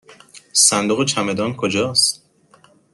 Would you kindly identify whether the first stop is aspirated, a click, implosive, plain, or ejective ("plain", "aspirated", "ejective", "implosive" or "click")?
plain